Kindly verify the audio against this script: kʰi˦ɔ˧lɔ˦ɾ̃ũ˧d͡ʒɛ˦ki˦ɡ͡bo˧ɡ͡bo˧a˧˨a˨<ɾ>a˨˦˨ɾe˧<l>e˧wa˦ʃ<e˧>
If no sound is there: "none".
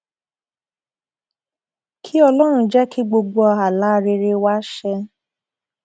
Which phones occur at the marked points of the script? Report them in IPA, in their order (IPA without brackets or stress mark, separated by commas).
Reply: l, ɾ, ɛ˧